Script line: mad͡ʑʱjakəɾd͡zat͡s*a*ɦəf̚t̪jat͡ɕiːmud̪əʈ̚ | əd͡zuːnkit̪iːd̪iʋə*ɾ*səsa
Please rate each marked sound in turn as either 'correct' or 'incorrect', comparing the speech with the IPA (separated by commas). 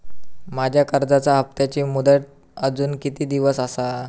correct, incorrect